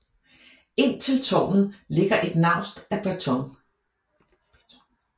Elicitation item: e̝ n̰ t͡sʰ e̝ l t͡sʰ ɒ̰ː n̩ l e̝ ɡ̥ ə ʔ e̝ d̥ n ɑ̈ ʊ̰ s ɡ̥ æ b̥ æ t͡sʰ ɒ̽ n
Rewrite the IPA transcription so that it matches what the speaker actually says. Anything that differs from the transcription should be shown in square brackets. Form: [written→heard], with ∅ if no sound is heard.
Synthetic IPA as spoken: e̝ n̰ t͡sʰ e̝ l t͡sʰ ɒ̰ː n̩ l e̝ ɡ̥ [ə→ɐ] ʔ e̝ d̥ n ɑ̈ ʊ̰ s [ɡ̥→d̥] æ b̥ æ t͡sʰ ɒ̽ [n→ŋ]